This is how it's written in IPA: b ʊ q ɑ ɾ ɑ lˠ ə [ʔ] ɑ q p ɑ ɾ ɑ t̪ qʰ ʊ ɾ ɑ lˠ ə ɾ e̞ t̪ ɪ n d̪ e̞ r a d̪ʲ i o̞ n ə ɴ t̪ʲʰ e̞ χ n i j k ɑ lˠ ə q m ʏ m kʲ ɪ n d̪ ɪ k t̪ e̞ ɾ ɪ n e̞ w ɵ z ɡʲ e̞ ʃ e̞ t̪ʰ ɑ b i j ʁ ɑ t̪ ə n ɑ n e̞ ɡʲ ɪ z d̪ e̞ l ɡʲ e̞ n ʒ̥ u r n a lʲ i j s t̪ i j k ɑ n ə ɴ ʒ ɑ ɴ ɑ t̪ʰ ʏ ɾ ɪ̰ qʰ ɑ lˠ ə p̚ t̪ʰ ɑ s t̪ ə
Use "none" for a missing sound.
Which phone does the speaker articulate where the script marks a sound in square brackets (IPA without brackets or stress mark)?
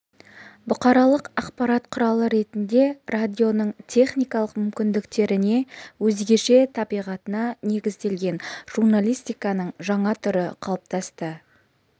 q